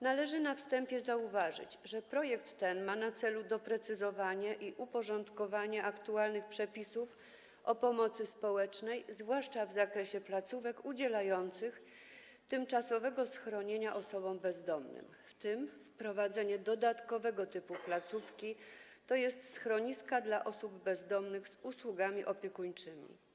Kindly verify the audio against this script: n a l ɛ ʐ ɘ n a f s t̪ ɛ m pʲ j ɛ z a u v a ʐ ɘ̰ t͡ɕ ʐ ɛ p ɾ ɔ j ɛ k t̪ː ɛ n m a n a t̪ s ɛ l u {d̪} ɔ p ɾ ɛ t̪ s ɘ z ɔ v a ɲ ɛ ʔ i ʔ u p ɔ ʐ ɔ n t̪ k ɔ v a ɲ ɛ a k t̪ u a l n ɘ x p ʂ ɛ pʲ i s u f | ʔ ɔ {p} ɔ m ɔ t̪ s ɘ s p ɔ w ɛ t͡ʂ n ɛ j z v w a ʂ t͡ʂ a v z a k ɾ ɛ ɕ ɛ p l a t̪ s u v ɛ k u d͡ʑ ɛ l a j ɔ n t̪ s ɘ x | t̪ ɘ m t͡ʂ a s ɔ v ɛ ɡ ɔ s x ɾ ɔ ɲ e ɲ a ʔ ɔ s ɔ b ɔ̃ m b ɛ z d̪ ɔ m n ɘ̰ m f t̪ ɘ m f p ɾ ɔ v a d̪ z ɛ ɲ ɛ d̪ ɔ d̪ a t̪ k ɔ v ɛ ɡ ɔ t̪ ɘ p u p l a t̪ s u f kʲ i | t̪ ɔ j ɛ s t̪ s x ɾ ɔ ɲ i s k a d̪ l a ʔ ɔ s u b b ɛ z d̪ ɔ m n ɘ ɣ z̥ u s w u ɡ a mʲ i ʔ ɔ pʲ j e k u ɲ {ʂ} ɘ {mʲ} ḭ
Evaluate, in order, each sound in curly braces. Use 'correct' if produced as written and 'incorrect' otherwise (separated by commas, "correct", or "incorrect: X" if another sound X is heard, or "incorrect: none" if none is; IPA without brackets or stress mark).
correct, correct, incorrect: t͡ʂ, correct